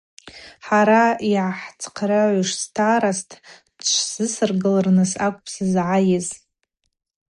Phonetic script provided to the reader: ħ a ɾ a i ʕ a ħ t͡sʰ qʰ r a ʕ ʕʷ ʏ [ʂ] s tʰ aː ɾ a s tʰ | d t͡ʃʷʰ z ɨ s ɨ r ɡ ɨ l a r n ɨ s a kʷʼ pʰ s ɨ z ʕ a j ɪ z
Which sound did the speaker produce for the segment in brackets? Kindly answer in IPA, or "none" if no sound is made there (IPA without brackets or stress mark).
ʂ